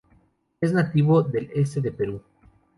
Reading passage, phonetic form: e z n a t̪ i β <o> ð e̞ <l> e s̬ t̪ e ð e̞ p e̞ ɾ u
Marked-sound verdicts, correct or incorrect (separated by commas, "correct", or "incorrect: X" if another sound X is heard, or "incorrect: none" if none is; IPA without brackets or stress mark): correct, correct